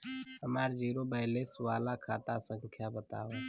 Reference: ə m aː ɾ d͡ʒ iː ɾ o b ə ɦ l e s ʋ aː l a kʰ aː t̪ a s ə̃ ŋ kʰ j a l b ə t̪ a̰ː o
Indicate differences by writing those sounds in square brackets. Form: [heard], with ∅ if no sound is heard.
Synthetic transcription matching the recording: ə m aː ɾ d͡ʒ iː ɾ o b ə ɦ l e s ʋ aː l a kʰ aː t̪ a s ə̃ ŋ kʰ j a [∅] b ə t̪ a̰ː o